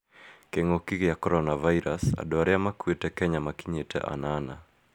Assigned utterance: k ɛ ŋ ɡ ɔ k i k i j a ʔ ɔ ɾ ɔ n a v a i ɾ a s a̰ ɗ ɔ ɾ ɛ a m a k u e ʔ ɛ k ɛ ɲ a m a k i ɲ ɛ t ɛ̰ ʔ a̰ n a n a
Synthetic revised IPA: k ɛ ŋ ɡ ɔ k i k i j a k ɔ ɾ ɔ n a v a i ɾ a s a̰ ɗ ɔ ɾ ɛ a m a k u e t ɛ k ɛ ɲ a m a k i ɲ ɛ t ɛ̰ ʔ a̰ n a n a